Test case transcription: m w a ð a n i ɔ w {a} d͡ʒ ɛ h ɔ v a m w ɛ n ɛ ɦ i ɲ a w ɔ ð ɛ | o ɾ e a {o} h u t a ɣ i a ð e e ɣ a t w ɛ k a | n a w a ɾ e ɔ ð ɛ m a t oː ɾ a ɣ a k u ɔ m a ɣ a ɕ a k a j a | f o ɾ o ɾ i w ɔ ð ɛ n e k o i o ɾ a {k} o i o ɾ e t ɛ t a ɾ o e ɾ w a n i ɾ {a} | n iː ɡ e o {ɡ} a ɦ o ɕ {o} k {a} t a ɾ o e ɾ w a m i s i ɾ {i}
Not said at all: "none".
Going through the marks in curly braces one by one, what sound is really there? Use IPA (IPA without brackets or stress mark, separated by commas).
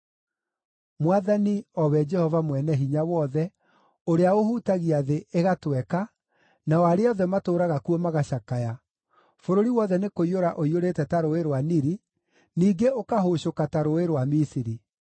ɛ, o, ʔ, i, k, o, a, i